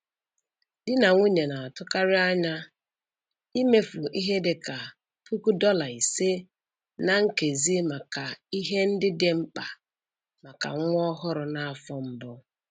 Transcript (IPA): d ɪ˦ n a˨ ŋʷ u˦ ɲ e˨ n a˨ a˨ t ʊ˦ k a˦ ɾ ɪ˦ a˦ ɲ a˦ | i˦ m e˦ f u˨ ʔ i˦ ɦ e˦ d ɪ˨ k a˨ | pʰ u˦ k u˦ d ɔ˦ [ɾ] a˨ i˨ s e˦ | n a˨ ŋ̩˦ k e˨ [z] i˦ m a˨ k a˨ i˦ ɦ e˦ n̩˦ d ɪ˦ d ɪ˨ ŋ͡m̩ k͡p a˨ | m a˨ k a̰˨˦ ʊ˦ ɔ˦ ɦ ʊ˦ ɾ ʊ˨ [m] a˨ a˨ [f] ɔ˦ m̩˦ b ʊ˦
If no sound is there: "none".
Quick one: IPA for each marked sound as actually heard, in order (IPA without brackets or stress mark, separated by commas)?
l, z, n, f